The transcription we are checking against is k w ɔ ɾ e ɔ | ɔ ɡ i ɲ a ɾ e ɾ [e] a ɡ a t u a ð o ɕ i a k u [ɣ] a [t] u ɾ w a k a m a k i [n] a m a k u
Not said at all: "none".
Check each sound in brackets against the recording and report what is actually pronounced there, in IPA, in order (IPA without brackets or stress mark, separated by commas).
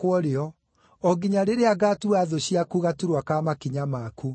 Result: e, ɣ, t, ɲ